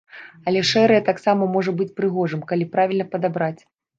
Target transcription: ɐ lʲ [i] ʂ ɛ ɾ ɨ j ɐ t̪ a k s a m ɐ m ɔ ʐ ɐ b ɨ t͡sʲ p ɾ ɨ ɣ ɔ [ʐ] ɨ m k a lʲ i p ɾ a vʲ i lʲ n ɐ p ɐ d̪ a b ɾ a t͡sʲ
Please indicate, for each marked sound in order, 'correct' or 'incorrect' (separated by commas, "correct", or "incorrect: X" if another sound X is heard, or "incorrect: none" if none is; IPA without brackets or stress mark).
incorrect: ɛ, correct